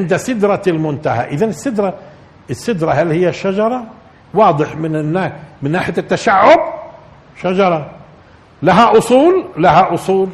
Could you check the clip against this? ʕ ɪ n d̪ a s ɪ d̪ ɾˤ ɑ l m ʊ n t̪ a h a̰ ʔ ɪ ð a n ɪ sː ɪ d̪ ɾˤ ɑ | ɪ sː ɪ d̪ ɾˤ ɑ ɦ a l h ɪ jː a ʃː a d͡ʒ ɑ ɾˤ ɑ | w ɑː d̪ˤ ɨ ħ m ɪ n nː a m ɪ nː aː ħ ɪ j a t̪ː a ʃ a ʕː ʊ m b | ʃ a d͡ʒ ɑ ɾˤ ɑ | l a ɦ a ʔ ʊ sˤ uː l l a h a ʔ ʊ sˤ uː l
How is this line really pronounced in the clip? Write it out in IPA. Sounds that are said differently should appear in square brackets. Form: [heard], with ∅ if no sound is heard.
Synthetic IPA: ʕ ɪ n d̪ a s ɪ d̪ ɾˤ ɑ l m ʊ n t̪ a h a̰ ʔ ɪ ð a n ɪ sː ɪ d̪ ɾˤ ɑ | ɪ sː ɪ d̪ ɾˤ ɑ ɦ a l h ɪ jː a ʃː a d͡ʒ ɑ ɾˤ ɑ | w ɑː d̪ˤ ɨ ħ m ɪ n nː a m ɪ nː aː ħ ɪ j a t̪ː a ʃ a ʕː ʊ [∅] b | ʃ a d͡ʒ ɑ ɾˤ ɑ | l a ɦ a ʔ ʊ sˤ uː l l a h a ʔ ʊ sˤ uː l